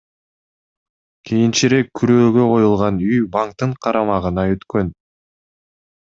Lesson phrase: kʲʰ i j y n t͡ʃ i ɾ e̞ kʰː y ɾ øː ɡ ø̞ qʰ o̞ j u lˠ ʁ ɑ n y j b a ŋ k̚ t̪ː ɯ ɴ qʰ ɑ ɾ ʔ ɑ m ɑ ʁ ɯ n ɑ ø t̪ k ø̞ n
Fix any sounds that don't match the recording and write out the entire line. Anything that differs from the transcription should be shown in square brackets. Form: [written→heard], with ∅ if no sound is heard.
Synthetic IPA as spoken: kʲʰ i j [y→i] n t͡ʃ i ɾ e̞ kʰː y ɾ øː ɡ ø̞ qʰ o̞ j u lˠ ʁ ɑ n y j b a ŋ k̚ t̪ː ɯ ɴ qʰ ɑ ɾ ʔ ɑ m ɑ ʁ ɯ n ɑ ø t̪ k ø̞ n